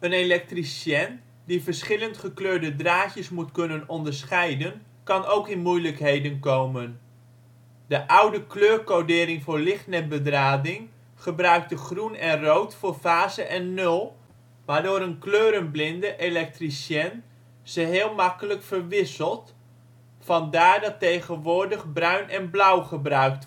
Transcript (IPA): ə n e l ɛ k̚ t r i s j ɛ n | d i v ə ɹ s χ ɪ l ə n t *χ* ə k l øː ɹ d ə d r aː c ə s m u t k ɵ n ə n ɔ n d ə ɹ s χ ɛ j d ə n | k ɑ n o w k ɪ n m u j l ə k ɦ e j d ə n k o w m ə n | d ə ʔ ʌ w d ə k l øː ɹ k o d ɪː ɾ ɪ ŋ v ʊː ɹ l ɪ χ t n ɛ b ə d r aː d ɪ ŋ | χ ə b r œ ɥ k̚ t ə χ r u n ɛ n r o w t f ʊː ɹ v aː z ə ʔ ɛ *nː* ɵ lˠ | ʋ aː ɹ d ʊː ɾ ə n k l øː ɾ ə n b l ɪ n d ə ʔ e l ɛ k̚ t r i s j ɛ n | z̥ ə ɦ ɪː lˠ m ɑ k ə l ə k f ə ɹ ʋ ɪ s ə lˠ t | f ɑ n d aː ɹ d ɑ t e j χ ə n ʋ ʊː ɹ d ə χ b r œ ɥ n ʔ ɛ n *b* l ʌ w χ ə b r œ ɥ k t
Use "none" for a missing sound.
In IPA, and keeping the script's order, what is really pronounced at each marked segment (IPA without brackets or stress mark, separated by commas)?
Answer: χ, nː, b